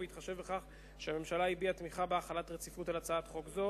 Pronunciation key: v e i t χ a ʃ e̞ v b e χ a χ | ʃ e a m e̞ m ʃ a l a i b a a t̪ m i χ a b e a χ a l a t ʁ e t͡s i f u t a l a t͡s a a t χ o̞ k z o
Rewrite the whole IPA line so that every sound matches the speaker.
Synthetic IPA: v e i t χ a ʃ e̞ v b e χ a χ | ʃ e a m e̞ m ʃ a l a i b i a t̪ m i χ a b e a χ a l a t ʁ e t͡s i f u t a l a t͡s a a t χ o̞ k z o